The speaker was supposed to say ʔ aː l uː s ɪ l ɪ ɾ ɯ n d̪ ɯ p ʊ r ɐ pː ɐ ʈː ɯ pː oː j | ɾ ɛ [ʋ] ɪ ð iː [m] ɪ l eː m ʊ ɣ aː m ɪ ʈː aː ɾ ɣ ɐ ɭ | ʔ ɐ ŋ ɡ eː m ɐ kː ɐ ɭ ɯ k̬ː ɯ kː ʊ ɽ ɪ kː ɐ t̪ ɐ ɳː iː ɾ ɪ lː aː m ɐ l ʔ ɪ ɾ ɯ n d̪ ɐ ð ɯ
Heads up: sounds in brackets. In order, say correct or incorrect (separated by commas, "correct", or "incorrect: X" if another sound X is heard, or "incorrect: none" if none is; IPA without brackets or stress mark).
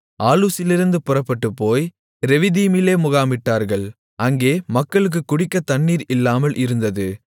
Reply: correct, correct